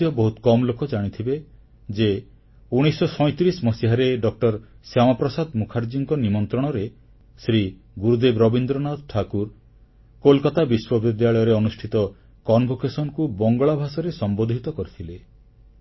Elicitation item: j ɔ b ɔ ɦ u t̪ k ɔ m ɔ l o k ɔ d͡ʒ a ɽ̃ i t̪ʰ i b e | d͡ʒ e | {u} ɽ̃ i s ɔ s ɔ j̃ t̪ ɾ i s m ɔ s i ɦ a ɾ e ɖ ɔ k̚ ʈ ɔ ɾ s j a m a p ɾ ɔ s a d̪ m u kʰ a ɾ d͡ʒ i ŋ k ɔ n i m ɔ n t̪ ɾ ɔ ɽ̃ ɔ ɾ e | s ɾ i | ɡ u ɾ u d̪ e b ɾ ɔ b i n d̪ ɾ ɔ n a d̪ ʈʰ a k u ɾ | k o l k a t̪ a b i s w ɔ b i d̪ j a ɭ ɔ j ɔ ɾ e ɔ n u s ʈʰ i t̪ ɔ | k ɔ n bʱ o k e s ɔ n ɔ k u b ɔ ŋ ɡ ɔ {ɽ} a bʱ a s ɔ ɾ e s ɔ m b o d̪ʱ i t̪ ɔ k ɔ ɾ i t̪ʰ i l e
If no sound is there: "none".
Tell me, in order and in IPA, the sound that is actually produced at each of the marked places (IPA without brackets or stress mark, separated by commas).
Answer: u, ɭ